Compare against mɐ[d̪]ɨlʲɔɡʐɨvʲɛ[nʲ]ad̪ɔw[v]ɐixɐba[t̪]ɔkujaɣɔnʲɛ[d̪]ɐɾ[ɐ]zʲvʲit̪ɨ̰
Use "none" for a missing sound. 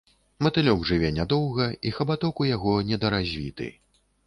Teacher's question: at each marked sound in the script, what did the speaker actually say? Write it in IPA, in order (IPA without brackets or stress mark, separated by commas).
t̪, nʲ, ɣ, t̪, d̪, a